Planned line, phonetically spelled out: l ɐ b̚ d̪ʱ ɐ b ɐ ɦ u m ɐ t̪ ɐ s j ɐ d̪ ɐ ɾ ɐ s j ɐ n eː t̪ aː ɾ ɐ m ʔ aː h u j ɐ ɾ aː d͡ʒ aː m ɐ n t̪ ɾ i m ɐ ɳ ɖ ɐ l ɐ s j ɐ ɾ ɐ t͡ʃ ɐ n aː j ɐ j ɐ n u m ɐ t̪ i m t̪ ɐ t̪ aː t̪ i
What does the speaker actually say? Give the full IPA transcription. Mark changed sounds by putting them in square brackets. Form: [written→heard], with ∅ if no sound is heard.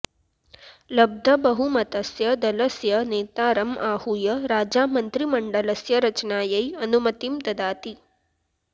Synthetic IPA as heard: l ɐ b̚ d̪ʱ ɐ b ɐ ɦ u m ɐ t̪ ɐ s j ɐ d̪ ɐ [ɾ→l] ɐ s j ɐ n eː t̪ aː ɾ ɐ m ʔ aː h u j ɐ ɾ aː d͡ʒ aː m ɐ n t̪ ɾ i m ɐ ɳ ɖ ɐ l ɐ s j ɐ ɾ ɐ t͡ʃ ɐ n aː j ɐ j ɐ n u m ɐ t̪ i m t̪ ɐ [t̪→d̪] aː t̪ i